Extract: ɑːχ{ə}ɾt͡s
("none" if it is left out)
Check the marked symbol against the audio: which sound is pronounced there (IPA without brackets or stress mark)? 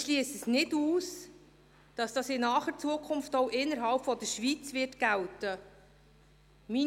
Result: ə